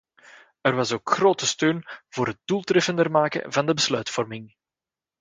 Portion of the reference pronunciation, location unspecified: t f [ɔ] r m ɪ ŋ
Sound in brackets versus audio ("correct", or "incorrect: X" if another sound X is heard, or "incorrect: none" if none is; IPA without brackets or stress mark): correct